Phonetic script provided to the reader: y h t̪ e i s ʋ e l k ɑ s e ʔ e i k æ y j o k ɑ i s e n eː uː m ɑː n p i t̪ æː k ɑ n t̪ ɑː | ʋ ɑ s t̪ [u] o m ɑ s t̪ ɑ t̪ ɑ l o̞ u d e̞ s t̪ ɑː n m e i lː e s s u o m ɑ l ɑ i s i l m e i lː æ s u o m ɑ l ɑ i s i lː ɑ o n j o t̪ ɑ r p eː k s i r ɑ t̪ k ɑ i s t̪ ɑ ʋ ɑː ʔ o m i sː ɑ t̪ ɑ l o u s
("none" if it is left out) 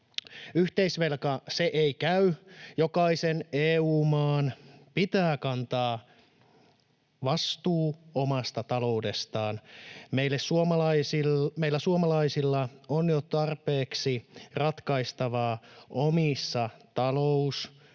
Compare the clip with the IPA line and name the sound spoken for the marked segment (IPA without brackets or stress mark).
uː